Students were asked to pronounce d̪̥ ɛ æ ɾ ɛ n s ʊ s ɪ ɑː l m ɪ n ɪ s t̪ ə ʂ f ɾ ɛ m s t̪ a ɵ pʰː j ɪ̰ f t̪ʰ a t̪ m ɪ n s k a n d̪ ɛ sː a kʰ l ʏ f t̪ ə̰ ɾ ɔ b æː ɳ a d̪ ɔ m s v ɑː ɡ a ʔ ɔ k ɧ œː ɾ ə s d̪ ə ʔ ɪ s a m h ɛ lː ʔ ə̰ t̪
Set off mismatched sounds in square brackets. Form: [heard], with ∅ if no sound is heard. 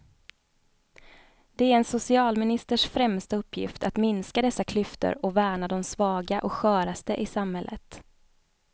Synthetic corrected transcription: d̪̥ ɛ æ ɾ ɛ n s ʊ s ɪ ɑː l m ɪ n ɪ s t̪ ə ʂ f ɾ ɛ m s t̪ a ɵ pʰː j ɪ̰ f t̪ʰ a t̪ m ɪ n s k a [∅] d̪ ɛ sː a kʰ l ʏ f t̪ ə̰ ɾ ɔ [v] æː ɳ a d̪ ɔ m s v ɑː ɡ a ʔ ɔ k ɧ œː ɾ [a] s [t̪] ə ʔ ɪ s a m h ɛ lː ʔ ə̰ t̪